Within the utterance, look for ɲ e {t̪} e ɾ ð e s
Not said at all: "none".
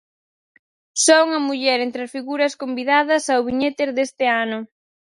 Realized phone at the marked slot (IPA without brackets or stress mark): t̪